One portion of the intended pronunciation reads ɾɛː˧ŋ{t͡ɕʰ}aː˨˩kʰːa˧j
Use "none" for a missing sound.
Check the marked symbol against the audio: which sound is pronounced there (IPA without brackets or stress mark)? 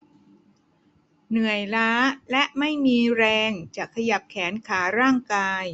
t͡ɕ